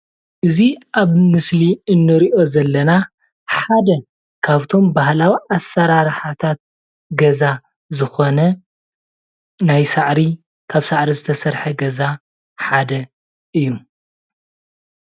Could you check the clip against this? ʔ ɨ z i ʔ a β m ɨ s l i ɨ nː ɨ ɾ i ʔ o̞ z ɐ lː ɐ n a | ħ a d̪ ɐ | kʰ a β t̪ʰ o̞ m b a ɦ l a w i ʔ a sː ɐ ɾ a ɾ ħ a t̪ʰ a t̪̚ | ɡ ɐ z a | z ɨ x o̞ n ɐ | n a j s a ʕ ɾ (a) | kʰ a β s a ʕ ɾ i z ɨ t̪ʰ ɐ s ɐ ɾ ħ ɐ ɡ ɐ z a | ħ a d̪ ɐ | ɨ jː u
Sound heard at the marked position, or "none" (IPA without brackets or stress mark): i